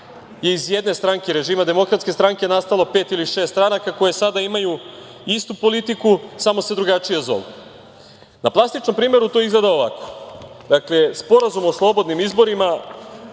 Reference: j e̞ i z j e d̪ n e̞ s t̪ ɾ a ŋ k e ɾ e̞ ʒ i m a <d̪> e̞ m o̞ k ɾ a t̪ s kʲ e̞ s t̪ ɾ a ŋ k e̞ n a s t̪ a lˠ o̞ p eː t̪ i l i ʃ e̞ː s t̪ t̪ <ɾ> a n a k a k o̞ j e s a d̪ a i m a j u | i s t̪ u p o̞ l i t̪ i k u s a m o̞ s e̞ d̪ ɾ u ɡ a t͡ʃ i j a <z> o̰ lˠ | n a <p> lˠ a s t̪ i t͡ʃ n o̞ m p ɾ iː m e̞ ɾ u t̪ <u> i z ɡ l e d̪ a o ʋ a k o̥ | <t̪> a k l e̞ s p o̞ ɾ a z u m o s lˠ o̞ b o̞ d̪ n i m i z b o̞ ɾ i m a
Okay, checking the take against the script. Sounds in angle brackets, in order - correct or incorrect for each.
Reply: correct, correct, correct, correct, incorrect, incorrect

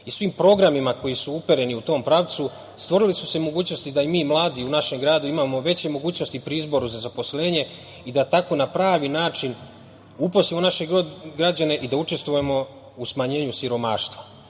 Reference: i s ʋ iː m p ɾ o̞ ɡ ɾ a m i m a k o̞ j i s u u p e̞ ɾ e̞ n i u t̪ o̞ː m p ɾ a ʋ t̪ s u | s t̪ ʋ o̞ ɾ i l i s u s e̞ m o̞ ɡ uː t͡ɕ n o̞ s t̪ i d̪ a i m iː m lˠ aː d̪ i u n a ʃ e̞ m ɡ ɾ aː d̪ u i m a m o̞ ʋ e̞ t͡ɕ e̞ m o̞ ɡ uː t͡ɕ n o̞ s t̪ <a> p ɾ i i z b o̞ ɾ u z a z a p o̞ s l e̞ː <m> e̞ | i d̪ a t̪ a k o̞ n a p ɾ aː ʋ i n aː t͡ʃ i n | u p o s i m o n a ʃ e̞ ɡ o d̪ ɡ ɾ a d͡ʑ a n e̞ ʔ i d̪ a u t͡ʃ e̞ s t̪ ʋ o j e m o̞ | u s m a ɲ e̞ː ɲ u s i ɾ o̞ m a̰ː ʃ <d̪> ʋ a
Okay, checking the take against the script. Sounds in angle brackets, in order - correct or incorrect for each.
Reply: incorrect, incorrect, incorrect

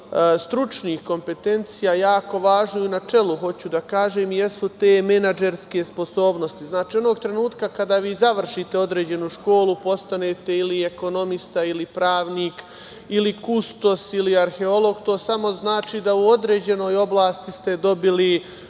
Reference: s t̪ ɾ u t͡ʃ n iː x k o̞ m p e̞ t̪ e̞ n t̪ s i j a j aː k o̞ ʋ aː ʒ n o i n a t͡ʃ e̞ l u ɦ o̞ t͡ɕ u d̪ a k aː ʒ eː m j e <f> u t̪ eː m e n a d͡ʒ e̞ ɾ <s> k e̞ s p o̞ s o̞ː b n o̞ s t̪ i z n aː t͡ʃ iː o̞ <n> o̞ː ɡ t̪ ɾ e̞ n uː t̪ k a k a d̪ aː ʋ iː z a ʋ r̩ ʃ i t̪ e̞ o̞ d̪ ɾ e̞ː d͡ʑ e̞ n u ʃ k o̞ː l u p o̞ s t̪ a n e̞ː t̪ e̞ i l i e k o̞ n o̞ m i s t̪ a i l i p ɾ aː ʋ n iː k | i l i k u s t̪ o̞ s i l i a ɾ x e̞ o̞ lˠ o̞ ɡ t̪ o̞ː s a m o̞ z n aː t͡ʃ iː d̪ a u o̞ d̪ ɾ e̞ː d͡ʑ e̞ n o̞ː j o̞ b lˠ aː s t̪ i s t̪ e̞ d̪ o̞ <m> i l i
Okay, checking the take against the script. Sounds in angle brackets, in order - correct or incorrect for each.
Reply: incorrect, correct, correct, incorrect

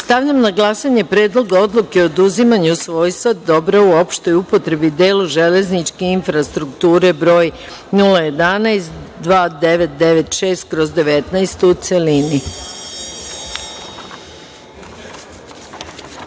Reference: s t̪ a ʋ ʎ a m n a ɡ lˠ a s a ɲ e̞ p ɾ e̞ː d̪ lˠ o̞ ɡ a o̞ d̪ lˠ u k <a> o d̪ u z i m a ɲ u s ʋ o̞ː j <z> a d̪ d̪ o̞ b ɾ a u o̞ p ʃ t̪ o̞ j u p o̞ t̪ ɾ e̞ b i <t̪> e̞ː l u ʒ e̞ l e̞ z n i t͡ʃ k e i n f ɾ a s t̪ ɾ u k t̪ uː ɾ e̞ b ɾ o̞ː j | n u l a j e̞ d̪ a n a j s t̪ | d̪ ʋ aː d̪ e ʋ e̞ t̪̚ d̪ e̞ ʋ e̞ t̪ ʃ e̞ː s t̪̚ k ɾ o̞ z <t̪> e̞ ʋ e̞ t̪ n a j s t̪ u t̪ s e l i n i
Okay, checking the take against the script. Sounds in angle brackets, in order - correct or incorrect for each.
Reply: incorrect, incorrect, incorrect, incorrect

